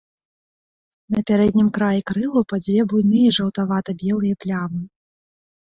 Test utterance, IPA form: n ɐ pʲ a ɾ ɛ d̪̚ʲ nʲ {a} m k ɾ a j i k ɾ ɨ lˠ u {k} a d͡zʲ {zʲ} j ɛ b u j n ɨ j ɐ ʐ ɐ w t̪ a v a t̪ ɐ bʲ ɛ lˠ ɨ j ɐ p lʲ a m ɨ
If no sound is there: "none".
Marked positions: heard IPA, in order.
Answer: i, p, vʲ

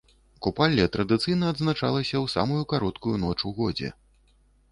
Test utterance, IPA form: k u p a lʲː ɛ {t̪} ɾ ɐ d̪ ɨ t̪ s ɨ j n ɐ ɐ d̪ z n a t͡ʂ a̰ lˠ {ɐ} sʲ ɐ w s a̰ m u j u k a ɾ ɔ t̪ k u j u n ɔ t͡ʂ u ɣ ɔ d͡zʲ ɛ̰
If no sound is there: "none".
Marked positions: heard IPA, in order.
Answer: t̪, ɐ

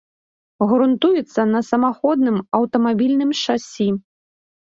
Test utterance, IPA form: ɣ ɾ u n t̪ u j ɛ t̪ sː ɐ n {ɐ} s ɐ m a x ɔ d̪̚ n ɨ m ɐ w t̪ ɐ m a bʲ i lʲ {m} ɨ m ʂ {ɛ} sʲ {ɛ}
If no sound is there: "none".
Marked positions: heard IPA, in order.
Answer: ɐ, n, a, i

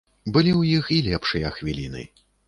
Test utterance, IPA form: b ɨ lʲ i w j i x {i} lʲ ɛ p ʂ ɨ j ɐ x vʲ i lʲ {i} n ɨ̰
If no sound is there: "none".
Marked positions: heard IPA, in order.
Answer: i, i

